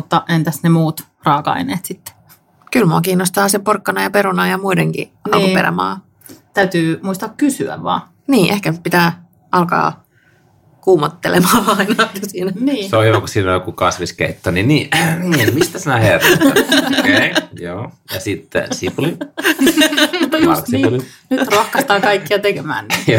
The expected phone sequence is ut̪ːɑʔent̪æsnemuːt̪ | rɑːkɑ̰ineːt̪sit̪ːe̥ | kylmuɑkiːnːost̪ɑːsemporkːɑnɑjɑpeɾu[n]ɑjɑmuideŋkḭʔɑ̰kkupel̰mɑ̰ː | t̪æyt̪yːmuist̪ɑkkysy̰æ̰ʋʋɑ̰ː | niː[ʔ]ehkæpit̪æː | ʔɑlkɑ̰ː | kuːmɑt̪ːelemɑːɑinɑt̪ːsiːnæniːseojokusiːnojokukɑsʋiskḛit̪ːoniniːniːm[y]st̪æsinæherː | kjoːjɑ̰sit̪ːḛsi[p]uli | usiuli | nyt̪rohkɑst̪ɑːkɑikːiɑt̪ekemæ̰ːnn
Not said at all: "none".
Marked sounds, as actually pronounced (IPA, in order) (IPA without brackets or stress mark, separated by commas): n, ʔ, i, p